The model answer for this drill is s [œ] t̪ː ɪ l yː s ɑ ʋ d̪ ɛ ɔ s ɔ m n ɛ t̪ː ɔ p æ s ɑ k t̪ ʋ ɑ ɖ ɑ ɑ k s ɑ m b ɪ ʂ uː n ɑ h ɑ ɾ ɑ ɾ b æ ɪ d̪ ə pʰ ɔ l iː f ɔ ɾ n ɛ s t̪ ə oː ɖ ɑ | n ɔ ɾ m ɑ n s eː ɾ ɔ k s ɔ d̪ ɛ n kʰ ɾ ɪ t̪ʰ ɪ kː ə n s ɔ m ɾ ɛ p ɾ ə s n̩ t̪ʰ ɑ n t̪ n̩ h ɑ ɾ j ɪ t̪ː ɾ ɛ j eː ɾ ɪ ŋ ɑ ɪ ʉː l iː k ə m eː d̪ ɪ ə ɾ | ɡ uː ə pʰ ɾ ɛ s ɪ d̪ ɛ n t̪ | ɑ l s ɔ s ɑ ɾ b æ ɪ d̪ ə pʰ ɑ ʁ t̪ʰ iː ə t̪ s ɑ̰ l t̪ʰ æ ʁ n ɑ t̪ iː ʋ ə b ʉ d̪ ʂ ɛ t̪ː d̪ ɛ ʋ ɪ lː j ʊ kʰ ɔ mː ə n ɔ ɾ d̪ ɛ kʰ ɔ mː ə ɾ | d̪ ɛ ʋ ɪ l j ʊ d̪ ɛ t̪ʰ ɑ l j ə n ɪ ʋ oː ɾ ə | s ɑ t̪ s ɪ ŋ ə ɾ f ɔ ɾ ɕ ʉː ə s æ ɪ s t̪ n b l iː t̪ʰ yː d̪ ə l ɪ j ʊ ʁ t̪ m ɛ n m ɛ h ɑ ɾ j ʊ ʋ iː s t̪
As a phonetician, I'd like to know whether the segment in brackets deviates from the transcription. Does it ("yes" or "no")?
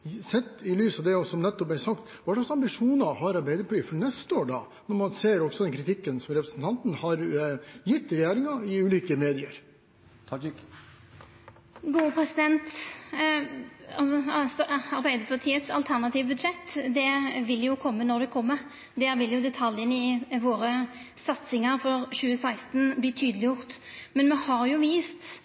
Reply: yes